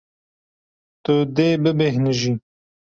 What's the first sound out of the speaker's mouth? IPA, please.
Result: t̪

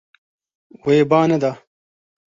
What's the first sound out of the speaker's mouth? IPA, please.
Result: w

